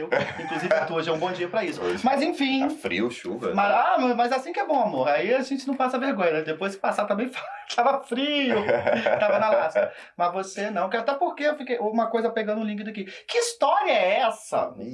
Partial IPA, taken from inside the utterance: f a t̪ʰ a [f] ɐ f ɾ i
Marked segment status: incorrect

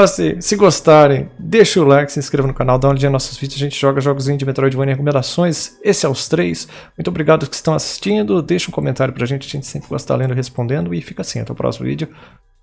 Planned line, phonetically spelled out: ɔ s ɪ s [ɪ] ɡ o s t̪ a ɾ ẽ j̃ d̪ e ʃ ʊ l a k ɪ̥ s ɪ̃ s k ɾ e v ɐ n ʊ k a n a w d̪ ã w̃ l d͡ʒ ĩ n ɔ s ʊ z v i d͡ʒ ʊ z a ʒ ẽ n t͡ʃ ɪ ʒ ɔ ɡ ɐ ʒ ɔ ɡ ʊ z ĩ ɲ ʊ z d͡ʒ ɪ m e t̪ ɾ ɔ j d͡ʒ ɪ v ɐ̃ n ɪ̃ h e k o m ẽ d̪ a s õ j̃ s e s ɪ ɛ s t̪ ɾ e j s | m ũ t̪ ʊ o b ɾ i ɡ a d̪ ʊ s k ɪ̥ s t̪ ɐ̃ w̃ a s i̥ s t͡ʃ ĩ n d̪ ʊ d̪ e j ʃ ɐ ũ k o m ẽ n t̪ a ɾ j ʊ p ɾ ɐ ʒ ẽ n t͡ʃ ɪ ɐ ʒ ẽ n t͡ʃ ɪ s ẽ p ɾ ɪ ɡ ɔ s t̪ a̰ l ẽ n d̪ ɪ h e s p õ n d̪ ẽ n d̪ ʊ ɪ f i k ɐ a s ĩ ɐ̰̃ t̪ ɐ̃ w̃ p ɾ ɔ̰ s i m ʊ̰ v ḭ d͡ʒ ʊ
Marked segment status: correct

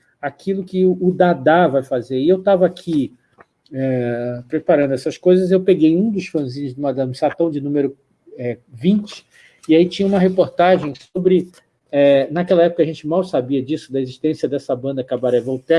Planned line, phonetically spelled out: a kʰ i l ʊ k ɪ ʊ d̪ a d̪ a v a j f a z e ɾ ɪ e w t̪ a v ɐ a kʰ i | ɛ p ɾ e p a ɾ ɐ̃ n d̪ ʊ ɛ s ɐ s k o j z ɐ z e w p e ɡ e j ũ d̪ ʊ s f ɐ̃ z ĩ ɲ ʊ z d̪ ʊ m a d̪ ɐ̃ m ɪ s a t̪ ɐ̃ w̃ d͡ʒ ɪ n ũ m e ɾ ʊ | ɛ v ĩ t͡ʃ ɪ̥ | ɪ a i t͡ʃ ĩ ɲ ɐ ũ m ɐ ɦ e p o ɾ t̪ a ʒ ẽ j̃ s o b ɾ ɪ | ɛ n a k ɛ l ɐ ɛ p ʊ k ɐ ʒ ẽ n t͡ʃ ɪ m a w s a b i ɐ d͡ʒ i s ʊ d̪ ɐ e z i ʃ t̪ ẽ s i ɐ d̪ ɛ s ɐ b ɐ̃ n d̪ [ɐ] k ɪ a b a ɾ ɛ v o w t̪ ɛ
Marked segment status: correct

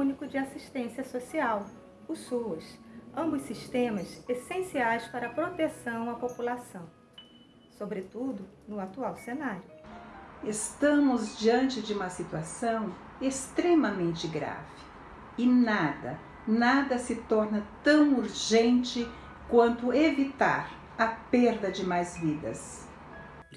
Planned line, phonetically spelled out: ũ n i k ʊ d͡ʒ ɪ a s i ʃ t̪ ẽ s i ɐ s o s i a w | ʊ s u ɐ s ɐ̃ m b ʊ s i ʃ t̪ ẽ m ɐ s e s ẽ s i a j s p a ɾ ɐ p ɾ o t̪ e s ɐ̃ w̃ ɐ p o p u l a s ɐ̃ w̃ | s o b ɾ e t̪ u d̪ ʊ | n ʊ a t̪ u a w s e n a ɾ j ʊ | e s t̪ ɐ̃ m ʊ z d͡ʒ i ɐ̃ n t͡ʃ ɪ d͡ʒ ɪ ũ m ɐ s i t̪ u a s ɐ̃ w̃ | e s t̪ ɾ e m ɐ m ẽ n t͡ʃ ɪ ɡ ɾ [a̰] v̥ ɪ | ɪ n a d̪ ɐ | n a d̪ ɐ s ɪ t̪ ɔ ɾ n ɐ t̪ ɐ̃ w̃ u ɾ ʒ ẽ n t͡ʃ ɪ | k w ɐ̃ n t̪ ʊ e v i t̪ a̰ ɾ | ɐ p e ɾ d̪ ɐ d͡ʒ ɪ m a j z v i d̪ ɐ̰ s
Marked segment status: correct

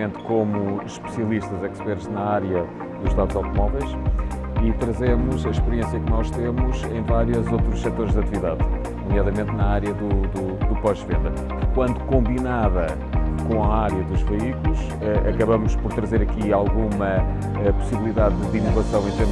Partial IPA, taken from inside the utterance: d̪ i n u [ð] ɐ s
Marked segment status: incorrect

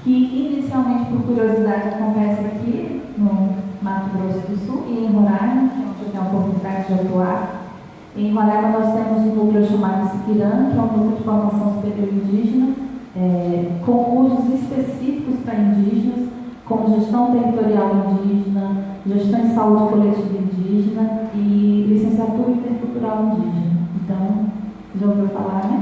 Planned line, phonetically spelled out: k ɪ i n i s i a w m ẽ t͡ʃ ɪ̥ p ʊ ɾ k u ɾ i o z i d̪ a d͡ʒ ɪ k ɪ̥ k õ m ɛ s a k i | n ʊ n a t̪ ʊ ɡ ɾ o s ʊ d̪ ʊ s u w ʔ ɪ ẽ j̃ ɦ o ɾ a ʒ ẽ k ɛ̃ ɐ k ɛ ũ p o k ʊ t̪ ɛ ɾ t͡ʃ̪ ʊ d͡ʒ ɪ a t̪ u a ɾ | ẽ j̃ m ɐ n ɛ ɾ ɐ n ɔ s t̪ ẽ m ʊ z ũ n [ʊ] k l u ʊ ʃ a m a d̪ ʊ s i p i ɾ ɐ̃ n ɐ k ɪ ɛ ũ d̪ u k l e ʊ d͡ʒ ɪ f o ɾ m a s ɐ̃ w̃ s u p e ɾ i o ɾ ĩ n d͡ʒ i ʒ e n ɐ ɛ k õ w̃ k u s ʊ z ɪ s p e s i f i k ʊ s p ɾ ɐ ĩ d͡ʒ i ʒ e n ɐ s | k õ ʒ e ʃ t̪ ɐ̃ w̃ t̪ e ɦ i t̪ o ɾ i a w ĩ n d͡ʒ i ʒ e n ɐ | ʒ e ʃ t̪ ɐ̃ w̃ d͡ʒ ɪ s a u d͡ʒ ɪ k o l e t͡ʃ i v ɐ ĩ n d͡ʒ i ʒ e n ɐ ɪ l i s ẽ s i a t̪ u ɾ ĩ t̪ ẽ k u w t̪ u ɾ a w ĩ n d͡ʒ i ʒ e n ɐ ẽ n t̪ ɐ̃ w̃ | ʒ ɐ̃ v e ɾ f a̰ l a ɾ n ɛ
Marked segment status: incorrect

